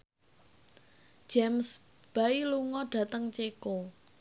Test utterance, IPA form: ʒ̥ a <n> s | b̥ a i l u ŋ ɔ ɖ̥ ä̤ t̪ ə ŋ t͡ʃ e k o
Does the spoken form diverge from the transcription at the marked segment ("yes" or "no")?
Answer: yes